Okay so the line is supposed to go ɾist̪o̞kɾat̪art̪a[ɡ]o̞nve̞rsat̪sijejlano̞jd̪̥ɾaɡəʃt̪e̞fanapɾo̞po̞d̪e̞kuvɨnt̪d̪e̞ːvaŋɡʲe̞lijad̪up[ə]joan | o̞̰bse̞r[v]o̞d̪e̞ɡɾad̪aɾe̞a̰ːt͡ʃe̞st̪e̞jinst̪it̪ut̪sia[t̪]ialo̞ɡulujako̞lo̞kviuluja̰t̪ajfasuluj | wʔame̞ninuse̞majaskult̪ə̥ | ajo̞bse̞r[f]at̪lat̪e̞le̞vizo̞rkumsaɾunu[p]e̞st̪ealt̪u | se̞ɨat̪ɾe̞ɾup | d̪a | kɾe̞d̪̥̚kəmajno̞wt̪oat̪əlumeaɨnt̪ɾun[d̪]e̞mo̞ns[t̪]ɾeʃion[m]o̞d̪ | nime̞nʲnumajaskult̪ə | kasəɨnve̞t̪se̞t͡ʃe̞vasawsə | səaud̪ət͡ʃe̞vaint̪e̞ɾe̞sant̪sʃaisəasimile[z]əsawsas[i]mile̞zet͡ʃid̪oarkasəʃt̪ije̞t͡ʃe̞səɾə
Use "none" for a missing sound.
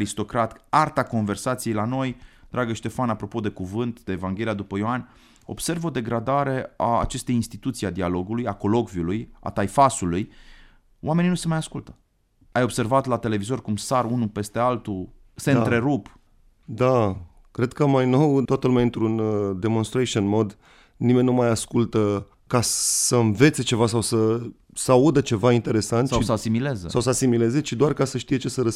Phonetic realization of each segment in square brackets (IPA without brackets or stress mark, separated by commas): k, ə, v, d̪, v, p, d̪, t̪, m, z, i